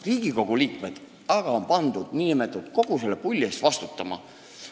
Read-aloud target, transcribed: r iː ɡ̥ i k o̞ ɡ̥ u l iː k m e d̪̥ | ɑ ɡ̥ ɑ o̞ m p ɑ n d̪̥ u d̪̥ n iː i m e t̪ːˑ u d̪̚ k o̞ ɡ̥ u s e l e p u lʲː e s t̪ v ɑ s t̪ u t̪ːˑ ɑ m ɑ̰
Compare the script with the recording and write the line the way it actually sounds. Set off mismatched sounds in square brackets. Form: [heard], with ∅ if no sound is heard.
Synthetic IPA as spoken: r iː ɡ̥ i k o̞ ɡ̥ u l iː k m e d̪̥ | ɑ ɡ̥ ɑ o̞ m p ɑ n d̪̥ u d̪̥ n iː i m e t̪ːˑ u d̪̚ k o̞ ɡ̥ u s e l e p u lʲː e s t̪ v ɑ s t̪ u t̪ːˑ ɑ m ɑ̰

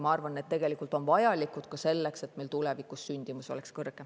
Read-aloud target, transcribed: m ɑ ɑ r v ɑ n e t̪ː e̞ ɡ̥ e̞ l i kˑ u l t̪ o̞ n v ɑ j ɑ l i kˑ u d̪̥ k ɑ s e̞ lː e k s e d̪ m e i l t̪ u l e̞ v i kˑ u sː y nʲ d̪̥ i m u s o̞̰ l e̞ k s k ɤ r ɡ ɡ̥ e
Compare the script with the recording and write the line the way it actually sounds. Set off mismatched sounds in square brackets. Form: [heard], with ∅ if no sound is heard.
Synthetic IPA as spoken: m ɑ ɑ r v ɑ n e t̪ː e̞ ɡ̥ e̞ l i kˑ u l t̪ o̞ n v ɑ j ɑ l i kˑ u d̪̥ k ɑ s e̞ lː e k s e [t̪] m e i l t̪ u l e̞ v i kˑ u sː y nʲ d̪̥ i m u s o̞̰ l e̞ k s k ɤ r ɡ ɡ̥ e

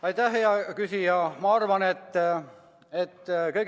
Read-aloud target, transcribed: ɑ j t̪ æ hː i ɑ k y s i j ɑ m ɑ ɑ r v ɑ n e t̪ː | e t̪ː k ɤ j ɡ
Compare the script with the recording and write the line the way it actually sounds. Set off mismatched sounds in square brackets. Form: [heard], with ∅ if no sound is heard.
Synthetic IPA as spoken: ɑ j t̪ æ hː [e] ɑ k y s i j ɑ m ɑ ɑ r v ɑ n e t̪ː | e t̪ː k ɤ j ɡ

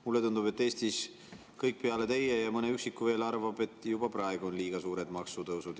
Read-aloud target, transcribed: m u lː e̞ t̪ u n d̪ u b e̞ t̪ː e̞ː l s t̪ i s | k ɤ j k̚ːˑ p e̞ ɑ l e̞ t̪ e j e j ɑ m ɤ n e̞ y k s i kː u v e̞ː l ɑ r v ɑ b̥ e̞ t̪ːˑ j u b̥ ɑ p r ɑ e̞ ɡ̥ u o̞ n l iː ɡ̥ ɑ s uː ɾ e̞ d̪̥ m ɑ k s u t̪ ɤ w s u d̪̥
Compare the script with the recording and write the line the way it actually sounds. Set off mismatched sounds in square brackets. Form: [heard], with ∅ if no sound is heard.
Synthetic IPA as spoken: m u lː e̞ t̪ u n d̪ u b e̞ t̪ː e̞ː [∅] s t̪ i s | k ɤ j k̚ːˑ p e̞ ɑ l e̞ t̪ e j e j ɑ m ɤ n e̞ y k s i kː u v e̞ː l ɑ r v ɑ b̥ e̞ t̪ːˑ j u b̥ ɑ p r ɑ e̞ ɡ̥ u o̞ n l iː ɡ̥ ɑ s uː ɾ e̞ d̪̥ m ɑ k s u t̪ ɤ w s u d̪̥

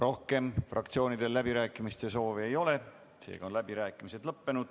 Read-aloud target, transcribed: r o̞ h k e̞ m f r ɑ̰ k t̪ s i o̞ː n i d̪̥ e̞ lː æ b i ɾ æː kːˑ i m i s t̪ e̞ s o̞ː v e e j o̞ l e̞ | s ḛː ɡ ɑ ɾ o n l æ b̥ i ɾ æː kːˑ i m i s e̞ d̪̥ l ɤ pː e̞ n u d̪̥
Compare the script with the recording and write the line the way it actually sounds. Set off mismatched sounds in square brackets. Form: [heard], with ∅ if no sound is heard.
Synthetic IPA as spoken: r o̞ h k e̞ m f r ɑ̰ k t̪ s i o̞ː n i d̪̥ e̞ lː æ b i ɾ æː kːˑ i m i s t̪ e̞ s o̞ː v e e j o̞ l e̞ | s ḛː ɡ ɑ [∅] o n l æ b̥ i ɾ æː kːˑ i m i s e̞ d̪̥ l ɤ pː e̞ n u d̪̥

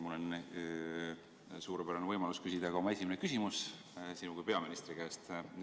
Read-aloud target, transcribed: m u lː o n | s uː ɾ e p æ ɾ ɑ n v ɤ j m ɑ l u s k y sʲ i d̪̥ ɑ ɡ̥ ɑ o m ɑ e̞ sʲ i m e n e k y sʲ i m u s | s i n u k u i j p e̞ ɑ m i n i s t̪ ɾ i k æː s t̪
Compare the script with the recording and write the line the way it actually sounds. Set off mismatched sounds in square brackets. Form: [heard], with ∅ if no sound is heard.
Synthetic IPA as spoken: m u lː o n | s uː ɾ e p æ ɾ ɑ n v ɤ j m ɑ l u s k y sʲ i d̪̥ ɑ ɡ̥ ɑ o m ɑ e̞ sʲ i m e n e k y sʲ i m u s | s i n u k u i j p e̞ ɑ m i n i s t̪ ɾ i k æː s t̪

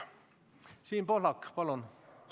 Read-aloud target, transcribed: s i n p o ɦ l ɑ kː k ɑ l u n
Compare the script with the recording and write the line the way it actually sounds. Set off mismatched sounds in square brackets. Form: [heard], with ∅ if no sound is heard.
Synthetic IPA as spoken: s [iː] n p o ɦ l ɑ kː [p] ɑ l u n

